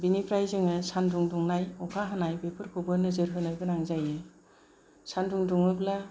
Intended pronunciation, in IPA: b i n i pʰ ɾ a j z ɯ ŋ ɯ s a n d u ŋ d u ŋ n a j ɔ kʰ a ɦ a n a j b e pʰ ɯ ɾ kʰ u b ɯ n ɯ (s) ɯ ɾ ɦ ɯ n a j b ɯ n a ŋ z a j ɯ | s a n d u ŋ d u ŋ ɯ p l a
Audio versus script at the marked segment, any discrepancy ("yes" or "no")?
yes